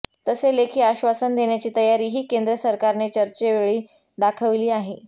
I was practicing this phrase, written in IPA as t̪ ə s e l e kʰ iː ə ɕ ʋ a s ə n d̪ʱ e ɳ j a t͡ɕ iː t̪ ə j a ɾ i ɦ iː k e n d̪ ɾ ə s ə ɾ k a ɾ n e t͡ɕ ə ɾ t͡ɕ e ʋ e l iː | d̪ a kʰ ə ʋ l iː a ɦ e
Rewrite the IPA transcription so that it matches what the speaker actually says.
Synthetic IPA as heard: t̪ ə s e l e kʰ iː a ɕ ʋ a s ə n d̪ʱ e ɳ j a t͡ɕ iː t̪ ə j a ɾ iː ɦ iː k e n d̪ ɾ ə s ə ɾ k a ɾ n e t͡ɕ ə ɾ t͡ɕ e ʋ e ɭ iː | d̪ a kʰ ə ʋ l iː a ɦ e